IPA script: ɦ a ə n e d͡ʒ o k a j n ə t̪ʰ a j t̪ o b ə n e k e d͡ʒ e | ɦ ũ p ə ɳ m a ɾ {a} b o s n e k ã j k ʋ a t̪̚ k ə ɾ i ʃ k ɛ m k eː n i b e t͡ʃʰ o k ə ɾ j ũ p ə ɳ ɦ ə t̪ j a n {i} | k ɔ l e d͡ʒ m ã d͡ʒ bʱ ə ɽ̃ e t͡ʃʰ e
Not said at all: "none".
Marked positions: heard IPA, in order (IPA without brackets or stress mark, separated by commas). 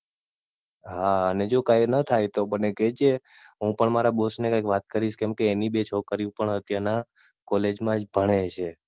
a, a